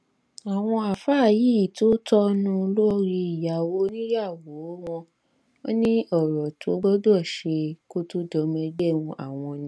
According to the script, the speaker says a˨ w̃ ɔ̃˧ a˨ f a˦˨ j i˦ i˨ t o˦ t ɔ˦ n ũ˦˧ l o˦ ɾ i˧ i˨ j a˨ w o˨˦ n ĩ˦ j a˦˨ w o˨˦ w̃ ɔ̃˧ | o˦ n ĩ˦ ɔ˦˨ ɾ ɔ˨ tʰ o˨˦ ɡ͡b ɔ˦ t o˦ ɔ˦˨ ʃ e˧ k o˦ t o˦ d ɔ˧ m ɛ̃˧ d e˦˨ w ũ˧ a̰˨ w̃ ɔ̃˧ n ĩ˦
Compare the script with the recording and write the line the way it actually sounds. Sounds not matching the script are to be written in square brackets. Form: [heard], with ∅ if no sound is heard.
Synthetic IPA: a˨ w̃ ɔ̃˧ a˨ f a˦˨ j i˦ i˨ t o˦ t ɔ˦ n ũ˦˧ l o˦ ɾ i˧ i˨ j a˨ w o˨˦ n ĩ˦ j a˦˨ w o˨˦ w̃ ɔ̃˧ | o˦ n ĩ˦ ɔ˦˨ ɾ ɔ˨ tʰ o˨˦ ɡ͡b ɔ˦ [d] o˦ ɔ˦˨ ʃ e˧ k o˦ t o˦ d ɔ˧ m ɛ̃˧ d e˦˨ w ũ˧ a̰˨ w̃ ɔ̃˧ n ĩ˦

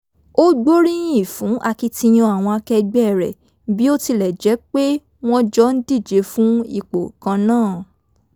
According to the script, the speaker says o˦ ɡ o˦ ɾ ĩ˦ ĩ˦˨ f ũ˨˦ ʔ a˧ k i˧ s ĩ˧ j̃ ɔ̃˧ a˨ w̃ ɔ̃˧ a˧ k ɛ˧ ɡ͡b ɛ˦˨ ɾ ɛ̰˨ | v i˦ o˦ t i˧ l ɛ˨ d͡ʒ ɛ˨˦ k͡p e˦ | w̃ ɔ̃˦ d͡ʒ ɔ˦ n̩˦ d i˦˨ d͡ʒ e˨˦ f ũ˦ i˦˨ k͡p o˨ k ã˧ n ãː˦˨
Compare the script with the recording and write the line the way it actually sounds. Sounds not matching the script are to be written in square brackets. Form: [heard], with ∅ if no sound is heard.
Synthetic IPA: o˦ [ɡ͡b] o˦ ɾ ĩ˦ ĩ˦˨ f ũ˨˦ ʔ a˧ k i˧ [t] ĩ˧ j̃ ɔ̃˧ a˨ w̃ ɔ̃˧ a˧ k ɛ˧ ɡ͡b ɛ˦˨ ɾ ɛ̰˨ | [b] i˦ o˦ t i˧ l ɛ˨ d͡ʒ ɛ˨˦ k͡p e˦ | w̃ ɔ̃˦ d͡ʒ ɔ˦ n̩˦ d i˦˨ d͡ʒ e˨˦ f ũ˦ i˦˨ k͡p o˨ k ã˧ n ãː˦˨

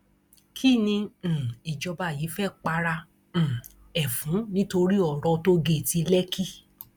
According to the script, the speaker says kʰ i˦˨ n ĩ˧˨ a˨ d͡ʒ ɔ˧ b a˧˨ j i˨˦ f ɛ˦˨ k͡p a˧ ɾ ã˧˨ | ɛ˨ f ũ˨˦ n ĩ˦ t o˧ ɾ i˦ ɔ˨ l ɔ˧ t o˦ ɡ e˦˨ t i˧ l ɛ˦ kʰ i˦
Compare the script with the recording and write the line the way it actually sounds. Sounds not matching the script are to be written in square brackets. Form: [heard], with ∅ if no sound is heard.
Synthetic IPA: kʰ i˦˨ n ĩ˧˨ [i˨] d͡ʒ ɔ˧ b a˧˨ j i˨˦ f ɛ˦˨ k͡p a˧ ɾ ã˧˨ | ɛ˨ f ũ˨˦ n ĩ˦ t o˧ ɾ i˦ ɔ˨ [ɾ] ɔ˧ t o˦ ɡ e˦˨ t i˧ l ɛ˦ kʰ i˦

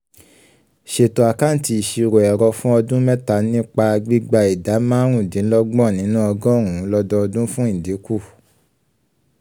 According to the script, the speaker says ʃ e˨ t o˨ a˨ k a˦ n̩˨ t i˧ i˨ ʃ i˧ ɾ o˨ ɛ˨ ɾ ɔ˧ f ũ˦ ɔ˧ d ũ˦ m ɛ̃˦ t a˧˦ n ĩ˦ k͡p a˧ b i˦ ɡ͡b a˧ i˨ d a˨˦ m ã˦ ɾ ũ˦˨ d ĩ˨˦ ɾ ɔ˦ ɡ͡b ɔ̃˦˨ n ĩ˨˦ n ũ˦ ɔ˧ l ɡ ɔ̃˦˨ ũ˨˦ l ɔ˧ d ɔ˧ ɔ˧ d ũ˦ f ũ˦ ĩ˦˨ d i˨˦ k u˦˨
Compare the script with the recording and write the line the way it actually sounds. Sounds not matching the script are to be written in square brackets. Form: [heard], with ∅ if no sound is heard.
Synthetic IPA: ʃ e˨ t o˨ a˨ k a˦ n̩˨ t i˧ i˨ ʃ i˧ ɾ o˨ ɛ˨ ɾ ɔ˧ f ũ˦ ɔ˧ d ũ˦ m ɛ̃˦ t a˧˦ n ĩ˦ k͡p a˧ [ɡ͡b] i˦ ɡ͡b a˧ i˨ d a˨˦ m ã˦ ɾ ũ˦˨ d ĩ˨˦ [l] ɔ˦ ɡ͡b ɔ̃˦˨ n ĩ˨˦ n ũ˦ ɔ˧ [∅] ɡ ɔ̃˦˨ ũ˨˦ l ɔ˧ d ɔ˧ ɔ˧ d ũ˦ f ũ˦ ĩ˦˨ d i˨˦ k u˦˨

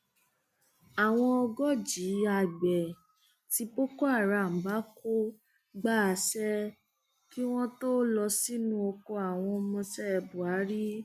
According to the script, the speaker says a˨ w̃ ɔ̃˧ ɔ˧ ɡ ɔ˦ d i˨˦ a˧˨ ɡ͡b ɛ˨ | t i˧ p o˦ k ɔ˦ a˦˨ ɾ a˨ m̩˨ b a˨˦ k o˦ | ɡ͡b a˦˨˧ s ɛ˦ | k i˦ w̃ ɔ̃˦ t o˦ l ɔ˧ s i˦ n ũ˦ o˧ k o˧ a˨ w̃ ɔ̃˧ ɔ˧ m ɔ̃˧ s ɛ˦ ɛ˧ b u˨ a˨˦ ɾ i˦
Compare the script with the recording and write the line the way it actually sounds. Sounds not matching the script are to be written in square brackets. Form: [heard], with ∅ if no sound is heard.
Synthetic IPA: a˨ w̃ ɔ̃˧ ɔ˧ ɡ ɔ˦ [d͡ʒ] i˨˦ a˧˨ ɡ͡b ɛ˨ | t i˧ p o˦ k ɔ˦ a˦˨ ɾ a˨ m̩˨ b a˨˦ k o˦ | ɡ͡b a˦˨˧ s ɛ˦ | k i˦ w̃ ɔ̃˦ t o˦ l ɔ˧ s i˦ n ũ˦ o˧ k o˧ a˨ w̃ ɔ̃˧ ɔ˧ m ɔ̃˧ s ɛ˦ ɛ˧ b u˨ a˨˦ ɾ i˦

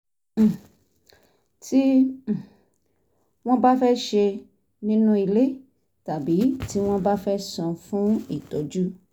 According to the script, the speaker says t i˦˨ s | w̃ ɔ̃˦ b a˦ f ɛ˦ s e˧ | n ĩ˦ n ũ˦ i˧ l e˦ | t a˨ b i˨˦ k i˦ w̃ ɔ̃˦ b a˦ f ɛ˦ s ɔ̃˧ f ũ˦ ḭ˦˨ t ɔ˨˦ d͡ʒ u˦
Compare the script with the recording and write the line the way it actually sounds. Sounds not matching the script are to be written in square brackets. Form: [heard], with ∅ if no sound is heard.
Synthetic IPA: t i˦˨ [∅] | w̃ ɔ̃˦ b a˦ f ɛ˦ [ʃ] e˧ | n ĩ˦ n ũ˦ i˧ l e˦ | t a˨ b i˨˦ [t] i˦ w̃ ɔ̃˦ b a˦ f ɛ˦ s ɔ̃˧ f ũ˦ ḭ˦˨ t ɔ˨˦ d͡ʒ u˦

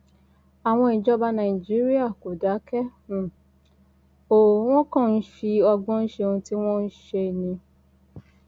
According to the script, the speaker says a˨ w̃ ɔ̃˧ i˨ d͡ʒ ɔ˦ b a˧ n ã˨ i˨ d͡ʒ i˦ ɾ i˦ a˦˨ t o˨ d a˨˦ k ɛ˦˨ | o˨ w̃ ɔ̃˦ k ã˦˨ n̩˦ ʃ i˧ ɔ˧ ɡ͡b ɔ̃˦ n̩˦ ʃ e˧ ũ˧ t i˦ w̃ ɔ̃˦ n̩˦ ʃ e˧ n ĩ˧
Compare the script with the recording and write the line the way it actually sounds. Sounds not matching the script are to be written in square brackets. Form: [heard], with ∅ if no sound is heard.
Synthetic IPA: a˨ w̃ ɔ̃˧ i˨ d͡ʒ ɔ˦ b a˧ n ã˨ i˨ d͡ʒ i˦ ɾ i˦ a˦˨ [k] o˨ d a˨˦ k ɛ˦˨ | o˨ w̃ ɔ̃˦ k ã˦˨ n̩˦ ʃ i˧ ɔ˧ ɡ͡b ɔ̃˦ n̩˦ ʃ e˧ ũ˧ t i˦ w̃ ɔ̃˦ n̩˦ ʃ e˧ n ĩ˧

